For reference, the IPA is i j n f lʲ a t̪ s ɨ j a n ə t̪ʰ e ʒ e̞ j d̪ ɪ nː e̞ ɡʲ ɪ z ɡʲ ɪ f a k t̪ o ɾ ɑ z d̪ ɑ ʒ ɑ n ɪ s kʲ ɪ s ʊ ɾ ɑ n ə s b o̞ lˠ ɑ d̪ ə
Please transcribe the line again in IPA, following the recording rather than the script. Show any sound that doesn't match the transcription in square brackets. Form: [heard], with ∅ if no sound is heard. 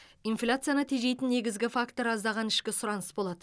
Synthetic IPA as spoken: i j n f lʲ a t̪ s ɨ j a n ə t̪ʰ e ʒ e̞ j [t̪] ɪ nː e̞ ɡʲ ɪ z ɡʲ ɪ f a k t̪ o ɾ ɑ z d̪ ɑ [ʁ] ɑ n ɪ [ʃ] kʲ ɪ s ʊ ɾ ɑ n ə s b o̞ lˠ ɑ d̪ ə

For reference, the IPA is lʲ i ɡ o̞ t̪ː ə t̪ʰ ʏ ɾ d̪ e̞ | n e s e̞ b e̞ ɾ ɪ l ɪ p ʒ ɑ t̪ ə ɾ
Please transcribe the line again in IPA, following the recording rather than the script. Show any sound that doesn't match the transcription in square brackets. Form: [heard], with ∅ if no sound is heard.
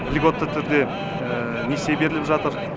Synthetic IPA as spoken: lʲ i ɡ o̞ t̪ː ə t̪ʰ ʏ ɾ d̪ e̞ | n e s e̞ b e̞ ɾ ɪ l ɪ p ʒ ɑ t̪ ə ɾ

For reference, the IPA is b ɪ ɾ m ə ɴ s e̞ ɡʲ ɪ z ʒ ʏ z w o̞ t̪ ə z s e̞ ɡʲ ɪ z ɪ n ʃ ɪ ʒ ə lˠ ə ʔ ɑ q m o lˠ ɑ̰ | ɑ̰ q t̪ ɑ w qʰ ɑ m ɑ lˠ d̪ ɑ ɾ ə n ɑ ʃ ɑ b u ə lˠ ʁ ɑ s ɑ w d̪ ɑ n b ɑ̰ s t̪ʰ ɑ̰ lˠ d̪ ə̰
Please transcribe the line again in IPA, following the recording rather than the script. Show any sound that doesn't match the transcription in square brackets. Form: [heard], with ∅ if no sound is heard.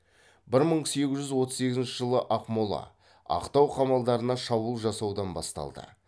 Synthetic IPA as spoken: b ɪ ɾ m ə ɴ s e̞ ɡʲ ɪ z ʒ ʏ z w o̞ t̪ ə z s e̞ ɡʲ ɪ z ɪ n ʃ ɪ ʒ ə lˠ ə ʔ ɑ q m o lˠ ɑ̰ | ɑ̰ q t̪ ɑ w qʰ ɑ m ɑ lˠ d̪ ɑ ɾ ə n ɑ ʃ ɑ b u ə lˠ [ʒ] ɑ s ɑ w d̪ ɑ n b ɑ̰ s [t̪] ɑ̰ lˠ d̪ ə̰

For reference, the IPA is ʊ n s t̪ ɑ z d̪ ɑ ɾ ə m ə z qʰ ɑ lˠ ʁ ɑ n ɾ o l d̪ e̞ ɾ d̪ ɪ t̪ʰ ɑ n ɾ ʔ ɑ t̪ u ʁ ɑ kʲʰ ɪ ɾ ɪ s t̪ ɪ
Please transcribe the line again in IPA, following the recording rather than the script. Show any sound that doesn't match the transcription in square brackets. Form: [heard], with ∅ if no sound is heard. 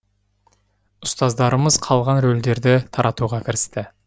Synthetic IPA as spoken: ʊ [∅] s t̪ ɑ z d̪ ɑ ɾ ə m ə z qʰ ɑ lˠ ʁ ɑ n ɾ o l d̪ e̞ ɾ d̪ ɪ t̪ʰ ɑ [∅] ɾ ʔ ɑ t̪ u ʁ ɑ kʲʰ ɪ ɾ ɪ s t̪ ɪ

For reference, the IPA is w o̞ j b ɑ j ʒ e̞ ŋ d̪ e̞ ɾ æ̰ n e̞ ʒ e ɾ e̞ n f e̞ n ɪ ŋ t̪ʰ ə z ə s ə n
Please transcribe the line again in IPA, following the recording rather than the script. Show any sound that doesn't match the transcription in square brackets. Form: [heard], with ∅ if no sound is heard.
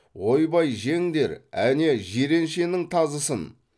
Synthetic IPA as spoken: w o̞ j b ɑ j ʒ e̞ ŋ d̪ e̞ ɾ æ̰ n e̞ ʒ e ɾ e̞ n [ʃ] e̞ n ɪ ŋ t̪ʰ [ɑ] z ə s ə n

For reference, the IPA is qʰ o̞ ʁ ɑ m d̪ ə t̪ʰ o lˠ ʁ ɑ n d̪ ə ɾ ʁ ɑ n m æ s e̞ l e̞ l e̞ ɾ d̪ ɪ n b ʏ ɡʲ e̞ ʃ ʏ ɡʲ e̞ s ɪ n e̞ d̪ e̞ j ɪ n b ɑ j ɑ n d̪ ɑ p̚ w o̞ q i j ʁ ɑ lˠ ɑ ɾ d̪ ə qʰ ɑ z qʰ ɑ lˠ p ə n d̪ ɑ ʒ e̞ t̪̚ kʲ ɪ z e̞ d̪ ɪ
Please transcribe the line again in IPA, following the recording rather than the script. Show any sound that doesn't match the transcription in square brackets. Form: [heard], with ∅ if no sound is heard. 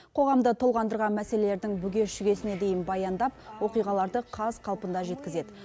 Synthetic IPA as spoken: qʰ o̞ ʁ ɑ m d̪ ə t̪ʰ o lˠ ʁ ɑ n d̪ ə ɾ ʁ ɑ n m æ s e̞ l e̞ l e̞ ɾ d̪ ɪ [ŋ] b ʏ ɡʲ e̞ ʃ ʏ ɡʲ e̞ s ɪ n e̞ d̪ e̞ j ɪ n b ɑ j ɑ n d̪ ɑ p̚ w o̞ q i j ʁ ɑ lˠ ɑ ɾ d̪ ə qʰ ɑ z qʰ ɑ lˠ p ə n d̪ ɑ ʒ e̞ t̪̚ kʲ ɪ z e̞ d̪ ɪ

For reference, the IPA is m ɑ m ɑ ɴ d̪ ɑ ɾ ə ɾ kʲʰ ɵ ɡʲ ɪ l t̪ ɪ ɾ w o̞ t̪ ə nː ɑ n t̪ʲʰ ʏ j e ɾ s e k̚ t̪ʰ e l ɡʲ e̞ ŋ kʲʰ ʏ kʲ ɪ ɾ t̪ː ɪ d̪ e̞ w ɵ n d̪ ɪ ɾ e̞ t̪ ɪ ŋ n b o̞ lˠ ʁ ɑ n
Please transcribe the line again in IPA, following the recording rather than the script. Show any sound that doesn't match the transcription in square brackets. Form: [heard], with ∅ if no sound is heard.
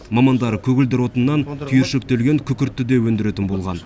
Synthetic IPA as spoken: m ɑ m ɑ [n] d̪ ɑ ɾ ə [∅] kʲʰ ɵ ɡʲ ɪ l [d̪] ɪ ɾ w o̞ t̪ ə nː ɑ n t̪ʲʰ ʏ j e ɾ [ʃ] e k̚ [t̪] e l ɡʲ e̞ ŋ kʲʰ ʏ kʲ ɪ ɾ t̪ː ɪ d̪ e̞ w ɵ n d̪ ɪ ɾ e̞ t̪ ɪ [∅] n b o̞ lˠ ʁ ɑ n

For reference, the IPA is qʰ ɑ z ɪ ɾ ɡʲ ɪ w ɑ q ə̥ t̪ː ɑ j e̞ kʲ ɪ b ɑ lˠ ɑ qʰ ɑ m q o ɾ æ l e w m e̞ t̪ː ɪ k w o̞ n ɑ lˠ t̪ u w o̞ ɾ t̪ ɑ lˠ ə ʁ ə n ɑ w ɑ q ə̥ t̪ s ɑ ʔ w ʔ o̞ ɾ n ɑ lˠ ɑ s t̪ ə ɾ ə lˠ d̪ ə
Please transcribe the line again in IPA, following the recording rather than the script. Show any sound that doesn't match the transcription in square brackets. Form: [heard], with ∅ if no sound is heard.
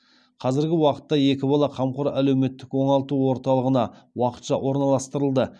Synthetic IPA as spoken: qʰ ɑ z ɪ ɾ ɡʲ ɪ w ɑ q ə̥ t̪ː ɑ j e̞ kʲ ɪ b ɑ lˠ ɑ qʰ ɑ m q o ɾ æ l e w m e̞ t̪ː ɪ k w o̞ [ɴ] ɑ lˠ t̪ u w o̞ ɾ t̪ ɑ lˠ ə ʁ ə n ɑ w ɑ q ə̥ t̪ [ʃ] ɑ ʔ w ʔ o̞ ɾ n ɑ lˠ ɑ s t̪ ə ɾ ə lˠ d̪ ə

